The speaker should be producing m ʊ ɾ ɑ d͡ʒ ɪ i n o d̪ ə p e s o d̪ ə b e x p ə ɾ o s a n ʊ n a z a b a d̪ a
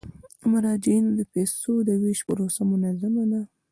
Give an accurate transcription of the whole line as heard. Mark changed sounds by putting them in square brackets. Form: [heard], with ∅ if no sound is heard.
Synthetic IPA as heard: m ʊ ɾ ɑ d͡ʒ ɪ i n o d̪ ə p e s o d̪ ə [w] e [ʃ] p ə ɾ o s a [m] ʊ n a z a [m] a d̪ a